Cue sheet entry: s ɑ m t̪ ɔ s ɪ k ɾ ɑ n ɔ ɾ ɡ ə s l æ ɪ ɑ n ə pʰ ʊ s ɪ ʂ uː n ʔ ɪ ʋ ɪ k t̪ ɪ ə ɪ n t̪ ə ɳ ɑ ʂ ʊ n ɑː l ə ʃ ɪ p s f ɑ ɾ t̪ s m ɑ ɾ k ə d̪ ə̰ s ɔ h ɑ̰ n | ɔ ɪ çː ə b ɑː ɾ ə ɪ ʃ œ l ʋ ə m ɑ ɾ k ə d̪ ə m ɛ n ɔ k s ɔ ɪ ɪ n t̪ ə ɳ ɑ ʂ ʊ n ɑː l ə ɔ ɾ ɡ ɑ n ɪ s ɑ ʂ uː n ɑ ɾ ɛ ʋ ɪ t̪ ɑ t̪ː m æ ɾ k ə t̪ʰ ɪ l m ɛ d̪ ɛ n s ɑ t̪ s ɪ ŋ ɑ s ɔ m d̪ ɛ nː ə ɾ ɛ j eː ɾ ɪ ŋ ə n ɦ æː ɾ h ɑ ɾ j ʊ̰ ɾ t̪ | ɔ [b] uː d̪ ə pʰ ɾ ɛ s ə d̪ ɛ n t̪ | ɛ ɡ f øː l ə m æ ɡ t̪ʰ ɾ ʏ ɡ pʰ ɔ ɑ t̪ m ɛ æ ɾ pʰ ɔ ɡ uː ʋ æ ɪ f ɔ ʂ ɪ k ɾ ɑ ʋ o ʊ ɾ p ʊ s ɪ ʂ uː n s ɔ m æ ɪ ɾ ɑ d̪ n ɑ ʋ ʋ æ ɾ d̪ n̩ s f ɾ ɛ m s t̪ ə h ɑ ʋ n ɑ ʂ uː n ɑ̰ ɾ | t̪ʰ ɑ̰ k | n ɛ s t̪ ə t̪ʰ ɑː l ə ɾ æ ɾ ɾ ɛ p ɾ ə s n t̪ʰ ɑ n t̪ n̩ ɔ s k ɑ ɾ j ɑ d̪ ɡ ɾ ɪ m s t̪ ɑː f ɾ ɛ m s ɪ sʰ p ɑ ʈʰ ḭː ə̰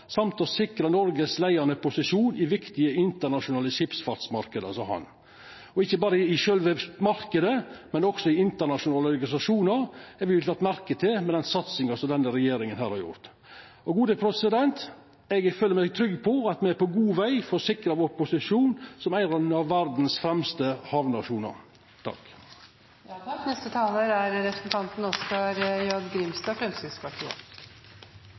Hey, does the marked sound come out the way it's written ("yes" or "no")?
no